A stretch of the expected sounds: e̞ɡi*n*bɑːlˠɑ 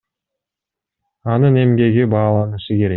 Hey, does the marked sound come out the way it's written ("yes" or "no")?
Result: no